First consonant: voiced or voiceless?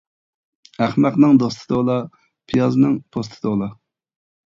voiceless